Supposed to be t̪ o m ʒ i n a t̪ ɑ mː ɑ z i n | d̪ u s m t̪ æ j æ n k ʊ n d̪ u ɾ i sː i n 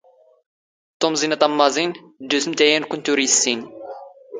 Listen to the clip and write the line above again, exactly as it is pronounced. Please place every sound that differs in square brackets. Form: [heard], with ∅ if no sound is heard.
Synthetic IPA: t̪ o m [z] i n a t̪ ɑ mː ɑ z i n | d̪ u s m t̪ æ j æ n k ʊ n [t̪] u ɾ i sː i n